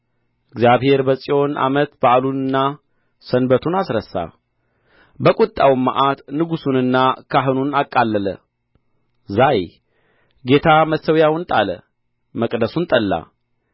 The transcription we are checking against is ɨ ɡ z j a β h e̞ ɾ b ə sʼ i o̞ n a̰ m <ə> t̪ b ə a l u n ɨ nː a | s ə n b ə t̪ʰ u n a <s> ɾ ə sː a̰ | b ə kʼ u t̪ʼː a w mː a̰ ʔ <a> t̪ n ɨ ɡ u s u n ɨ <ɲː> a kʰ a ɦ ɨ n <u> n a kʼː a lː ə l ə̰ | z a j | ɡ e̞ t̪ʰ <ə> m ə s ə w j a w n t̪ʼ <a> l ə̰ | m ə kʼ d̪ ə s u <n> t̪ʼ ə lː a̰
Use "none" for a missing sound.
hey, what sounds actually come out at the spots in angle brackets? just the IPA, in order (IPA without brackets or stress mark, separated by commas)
ə, s, a, nː, u, a, a, n